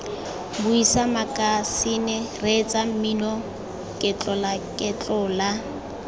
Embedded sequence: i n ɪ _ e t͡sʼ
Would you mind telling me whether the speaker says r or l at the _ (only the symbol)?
r